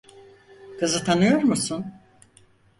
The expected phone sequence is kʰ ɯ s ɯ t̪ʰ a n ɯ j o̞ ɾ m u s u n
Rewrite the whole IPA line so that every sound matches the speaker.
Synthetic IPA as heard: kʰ ɯ z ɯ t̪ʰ a n ɯ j o̞ ɾ m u s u n